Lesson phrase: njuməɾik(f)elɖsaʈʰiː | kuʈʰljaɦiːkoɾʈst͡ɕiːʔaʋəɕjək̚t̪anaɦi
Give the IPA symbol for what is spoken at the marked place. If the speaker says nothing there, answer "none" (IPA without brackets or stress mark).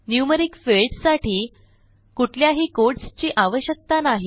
f